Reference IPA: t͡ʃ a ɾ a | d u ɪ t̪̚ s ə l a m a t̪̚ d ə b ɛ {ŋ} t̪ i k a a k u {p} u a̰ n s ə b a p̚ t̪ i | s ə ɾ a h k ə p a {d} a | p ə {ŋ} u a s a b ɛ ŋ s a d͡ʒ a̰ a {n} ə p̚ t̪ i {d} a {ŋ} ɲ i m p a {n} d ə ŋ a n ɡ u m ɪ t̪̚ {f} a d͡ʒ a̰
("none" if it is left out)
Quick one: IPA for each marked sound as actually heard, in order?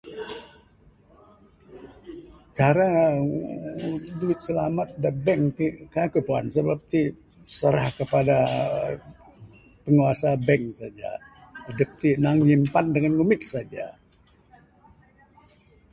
ŋ, p, d, ŋ, d, n, ŋ, n, s

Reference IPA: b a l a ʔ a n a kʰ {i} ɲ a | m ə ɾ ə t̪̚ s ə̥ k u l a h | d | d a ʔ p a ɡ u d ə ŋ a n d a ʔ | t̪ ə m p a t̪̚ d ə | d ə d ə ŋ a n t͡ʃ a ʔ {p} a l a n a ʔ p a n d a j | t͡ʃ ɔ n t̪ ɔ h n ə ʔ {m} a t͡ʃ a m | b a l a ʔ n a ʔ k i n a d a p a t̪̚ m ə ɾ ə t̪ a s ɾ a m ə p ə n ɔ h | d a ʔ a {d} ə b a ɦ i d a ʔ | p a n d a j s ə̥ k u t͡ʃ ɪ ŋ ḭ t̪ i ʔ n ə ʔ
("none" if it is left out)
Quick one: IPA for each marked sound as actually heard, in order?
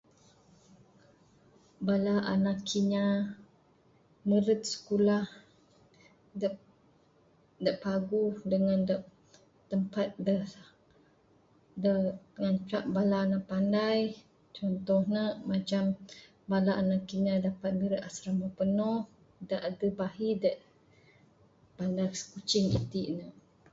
i, b, m, d

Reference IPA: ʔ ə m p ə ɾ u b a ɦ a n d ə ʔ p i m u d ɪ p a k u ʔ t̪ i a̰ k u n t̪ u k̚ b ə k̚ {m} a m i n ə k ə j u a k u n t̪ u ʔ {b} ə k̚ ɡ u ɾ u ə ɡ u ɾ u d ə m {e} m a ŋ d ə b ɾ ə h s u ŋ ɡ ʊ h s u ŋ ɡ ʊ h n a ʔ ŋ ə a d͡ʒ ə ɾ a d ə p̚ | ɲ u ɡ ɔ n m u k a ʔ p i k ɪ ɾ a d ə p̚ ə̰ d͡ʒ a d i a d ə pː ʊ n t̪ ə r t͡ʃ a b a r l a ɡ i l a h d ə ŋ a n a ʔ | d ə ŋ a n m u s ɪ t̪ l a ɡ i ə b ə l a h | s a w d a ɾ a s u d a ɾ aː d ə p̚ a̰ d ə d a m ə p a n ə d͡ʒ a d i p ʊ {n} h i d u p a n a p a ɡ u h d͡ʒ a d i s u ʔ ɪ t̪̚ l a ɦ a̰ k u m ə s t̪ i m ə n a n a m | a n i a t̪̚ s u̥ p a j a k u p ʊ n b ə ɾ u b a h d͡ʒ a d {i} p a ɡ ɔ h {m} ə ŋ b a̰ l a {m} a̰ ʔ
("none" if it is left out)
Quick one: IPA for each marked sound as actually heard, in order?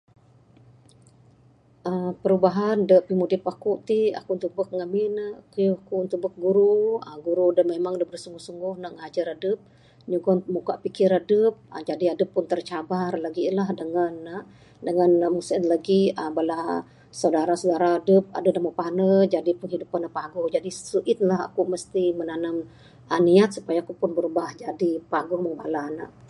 ŋ, b, e, n, i, m, n

